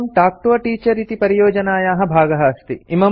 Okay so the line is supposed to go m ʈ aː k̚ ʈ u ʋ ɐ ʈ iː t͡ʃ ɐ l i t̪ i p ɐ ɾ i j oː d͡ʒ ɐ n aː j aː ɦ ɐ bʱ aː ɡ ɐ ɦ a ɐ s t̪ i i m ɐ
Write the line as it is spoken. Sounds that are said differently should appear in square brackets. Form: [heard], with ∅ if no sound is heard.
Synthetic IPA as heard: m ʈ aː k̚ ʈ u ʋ ɐ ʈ iː t͡ʃ ɐ [ɾ] i t̪ i p ɐ ɾ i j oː d͡ʒ ɐ n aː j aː ɦ ɐ bʱ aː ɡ ɐ ɦ [ɐ] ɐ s t̪ i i m ɐ